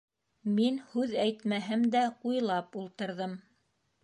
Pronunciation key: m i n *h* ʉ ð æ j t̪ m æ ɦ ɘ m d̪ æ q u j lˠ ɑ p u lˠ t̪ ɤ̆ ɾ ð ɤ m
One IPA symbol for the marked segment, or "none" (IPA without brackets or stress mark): h